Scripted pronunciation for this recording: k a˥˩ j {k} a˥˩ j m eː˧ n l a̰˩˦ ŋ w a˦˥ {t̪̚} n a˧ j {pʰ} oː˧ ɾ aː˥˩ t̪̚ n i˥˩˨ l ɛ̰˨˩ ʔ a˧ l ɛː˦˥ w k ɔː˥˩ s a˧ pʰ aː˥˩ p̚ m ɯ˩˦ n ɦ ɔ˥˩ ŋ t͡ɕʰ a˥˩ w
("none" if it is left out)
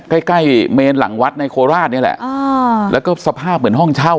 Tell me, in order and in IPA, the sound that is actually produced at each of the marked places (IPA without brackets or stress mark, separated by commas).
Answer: k, t̪̚, kʰ